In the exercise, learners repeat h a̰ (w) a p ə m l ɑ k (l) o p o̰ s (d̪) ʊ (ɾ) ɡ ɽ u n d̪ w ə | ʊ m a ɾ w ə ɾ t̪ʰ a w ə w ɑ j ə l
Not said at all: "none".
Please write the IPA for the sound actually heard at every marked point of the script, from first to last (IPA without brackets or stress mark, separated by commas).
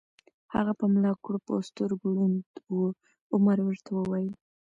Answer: ɣ, ɽ, t̪, ɾ